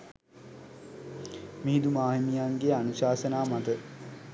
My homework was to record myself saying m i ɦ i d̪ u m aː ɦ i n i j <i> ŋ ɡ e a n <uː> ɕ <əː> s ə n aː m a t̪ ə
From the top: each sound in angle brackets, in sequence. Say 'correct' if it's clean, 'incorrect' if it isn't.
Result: incorrect: a, incorrect: u, incorrect: aː

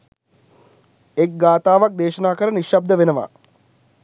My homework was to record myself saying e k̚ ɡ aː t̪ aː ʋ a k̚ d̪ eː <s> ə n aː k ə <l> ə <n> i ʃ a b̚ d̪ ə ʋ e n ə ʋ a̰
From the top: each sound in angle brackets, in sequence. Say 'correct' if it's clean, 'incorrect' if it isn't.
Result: incorrect: ʃ, incorrect: ɾ, correct

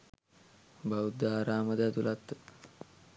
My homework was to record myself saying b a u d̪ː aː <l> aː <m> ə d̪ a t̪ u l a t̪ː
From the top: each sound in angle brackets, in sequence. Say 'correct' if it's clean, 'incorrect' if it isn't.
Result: incorrect: ɾ, correct

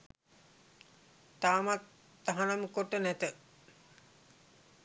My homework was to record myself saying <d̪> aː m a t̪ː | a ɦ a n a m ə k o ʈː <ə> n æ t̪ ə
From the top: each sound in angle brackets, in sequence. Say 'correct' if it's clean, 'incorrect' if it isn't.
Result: incorrect: t̪, correct

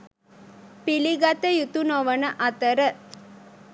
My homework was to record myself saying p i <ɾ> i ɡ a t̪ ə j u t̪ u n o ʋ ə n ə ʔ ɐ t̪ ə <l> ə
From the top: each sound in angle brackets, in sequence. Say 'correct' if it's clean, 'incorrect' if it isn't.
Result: incorrect: l, incorrect: ɾ

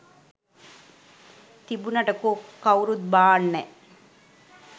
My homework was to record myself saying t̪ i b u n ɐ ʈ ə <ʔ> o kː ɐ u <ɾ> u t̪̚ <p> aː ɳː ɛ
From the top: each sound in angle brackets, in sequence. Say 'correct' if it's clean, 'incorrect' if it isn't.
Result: incorrect: k, correct, incorrect: b

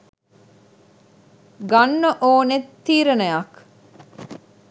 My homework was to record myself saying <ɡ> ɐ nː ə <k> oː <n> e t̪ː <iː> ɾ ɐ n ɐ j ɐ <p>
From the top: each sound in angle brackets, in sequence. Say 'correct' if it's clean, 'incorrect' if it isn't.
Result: correct, incorrect: ʔ, correct, correct, incorrect: k

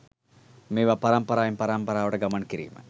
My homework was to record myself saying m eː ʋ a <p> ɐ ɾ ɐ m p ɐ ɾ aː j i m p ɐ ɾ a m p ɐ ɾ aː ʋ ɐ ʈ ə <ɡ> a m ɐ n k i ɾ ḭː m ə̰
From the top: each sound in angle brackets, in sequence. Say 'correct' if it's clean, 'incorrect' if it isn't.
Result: correct, correct

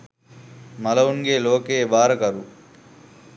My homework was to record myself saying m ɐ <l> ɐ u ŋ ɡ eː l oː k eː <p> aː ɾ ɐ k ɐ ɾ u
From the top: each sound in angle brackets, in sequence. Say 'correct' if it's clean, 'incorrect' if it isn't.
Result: correct, incorrect: b

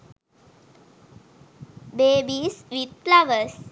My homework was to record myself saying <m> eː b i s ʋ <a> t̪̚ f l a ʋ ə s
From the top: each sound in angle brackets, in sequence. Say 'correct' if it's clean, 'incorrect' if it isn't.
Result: incorrect: b, incorrect: i

